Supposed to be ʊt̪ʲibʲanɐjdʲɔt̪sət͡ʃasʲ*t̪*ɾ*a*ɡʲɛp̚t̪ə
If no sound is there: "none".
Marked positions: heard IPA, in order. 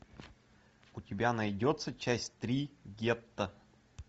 t̪, i

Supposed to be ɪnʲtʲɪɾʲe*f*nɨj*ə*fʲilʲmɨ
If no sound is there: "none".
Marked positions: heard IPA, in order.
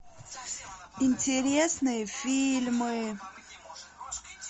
s, ə

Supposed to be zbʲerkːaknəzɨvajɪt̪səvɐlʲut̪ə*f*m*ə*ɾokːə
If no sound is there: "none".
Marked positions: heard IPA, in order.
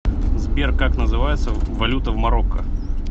v, ɐ

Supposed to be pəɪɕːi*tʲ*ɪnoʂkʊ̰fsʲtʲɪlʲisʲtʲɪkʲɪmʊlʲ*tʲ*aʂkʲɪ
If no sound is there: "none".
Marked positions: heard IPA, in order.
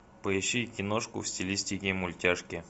kʲ, tʲ

